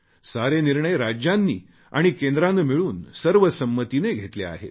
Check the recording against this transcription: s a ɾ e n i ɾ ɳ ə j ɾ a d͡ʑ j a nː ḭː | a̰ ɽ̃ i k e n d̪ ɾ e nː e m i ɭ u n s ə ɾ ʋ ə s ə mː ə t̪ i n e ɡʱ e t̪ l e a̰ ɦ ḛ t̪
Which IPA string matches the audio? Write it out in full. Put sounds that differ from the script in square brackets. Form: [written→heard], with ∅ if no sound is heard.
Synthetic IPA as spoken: s a ɾ e n i ɾ ɳ ə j ɾ a d͡ʑ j a nː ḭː | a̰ ɽ̃ i k e n d̪ ɾ [e→a] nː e m i ɭ [u→uː] n s ə ɾ ʋ ə s ə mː ə t̪ i n e ɡʱ e t̪ l e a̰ ɦ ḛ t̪